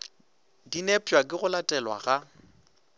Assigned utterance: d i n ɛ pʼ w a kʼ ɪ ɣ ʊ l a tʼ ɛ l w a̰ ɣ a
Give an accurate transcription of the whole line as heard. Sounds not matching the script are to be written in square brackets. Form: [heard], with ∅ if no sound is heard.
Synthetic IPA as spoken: d i n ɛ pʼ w a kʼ ɪ ɣ ʊ l a tʼ ɛ l w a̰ ɣ a